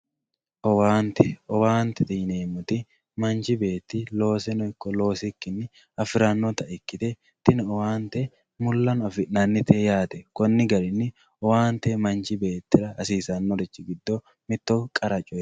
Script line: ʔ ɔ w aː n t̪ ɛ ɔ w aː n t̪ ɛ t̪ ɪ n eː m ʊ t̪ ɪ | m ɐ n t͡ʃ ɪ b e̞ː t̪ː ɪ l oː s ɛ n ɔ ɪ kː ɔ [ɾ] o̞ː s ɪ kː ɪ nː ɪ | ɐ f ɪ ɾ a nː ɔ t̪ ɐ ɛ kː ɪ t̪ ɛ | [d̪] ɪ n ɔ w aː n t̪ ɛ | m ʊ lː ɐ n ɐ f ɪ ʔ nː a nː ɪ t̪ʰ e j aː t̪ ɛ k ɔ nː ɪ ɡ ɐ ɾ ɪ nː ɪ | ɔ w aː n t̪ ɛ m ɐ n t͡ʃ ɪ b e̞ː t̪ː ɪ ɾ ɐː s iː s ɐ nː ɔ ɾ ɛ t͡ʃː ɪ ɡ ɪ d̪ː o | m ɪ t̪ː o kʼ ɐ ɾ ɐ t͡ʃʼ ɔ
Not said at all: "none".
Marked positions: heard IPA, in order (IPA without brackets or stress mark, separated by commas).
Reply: l, t̪